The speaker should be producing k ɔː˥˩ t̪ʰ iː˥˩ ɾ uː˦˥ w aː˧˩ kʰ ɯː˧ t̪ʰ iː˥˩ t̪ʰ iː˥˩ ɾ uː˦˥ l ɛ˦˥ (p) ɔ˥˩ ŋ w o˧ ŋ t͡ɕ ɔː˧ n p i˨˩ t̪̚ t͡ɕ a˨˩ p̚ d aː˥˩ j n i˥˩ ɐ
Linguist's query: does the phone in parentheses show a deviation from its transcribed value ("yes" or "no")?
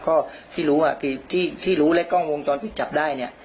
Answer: yes